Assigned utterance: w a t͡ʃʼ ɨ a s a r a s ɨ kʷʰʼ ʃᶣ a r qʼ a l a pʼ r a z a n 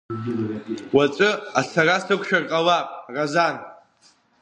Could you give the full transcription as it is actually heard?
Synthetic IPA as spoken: w a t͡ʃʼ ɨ a s a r a s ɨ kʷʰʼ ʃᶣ a r qʼ a l a pʼ r a z a n